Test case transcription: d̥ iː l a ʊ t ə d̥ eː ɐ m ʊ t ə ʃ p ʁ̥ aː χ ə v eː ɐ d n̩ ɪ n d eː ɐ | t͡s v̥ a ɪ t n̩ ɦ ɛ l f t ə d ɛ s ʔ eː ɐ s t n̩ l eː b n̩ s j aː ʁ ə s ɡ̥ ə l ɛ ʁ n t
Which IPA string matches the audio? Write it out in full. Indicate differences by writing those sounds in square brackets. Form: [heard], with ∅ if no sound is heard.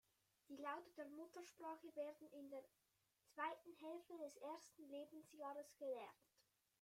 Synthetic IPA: d̥ iː l a ʊ t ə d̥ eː ɐ m ʊ t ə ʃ p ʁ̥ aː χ ə v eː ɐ d n̩ ɪ n d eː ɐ | t͡s v̥ a ɪ t n̩ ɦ ɛ l f t ə d ɛ s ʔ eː ɐ s t n̩ l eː b n̩ s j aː ʁ ə s ɡ̥ ə l ɛ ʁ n t